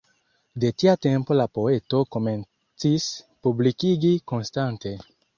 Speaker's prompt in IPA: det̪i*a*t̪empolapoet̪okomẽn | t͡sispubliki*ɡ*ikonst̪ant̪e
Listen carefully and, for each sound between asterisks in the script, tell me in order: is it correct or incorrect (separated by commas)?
correct, correct